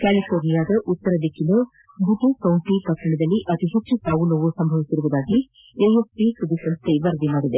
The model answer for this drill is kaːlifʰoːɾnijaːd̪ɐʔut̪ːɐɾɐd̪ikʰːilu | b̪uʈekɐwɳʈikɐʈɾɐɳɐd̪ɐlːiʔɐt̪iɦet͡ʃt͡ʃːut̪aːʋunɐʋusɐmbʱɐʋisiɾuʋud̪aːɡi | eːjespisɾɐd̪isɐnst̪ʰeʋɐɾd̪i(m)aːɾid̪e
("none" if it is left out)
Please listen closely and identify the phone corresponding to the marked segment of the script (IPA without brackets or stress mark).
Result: m